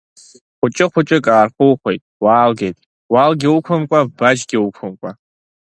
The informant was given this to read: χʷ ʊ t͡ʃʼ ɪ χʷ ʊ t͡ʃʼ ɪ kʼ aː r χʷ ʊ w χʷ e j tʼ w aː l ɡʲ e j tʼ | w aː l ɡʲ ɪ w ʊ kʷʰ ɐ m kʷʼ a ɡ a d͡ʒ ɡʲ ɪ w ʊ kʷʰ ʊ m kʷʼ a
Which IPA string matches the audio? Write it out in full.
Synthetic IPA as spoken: χʷ ʊ t͡ʃʼ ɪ χʷ ʊ t͡ʃʼ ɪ kʼ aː r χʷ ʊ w χʷ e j tʼ w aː l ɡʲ e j tʼ | w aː l ɡʲ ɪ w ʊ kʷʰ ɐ m kʷʼ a b a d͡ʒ ɡʲ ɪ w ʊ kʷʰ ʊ m kʷʼ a